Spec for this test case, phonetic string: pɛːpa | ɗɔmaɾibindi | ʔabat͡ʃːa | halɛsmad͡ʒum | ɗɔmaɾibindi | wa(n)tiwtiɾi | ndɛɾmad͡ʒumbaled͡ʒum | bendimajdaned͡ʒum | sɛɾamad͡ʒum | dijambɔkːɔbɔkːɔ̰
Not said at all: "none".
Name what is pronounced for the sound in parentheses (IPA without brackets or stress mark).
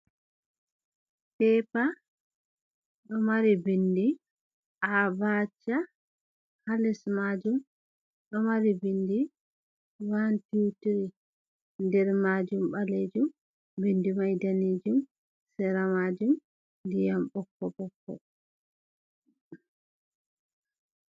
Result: n